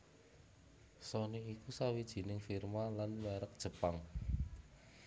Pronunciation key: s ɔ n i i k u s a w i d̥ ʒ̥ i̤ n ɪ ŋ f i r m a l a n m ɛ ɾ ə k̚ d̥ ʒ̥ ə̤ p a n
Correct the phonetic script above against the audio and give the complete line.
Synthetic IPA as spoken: s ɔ n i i k u s a w i d̥ ʒ̥ i̤ n ɪ ŋ f i r m a l a n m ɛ ɾ ə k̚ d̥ ʒ̥ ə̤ p a ŋ